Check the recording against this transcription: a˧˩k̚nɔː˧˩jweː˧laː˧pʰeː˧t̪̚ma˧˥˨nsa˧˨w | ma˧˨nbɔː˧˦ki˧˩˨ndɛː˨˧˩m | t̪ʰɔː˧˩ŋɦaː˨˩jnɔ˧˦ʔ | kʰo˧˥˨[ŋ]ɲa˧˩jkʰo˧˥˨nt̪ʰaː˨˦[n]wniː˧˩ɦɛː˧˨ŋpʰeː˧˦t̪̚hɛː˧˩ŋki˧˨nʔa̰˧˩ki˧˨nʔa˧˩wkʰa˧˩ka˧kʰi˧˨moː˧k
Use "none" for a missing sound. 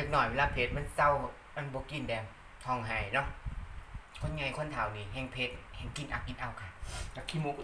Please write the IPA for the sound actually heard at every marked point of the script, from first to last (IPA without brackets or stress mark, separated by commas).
n, none